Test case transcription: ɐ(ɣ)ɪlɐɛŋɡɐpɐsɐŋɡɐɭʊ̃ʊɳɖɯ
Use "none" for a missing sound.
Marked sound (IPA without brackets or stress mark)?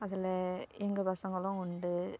ð